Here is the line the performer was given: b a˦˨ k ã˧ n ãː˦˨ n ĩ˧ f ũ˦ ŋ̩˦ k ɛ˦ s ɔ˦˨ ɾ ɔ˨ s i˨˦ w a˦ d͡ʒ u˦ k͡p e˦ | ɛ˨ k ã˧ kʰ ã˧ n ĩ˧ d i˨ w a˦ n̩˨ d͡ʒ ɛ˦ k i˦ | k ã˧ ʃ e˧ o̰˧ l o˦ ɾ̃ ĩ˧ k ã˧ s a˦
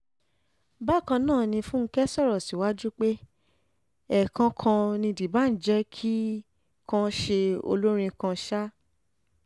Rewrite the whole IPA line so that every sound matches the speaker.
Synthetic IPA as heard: b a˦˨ k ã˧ n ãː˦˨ n ĩ˧ f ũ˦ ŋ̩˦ k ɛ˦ s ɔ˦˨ ɾ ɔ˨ s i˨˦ w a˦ d͡ʒ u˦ k͡p e˦ | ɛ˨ k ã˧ kʰ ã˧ n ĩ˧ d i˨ b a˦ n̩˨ d͡ʒ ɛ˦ kʰ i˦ | k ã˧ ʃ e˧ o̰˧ l o˦ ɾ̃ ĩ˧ k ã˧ ʃ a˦